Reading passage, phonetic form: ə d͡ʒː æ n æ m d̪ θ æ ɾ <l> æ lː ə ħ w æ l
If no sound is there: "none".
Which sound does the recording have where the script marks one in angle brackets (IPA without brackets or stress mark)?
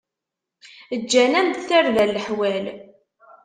l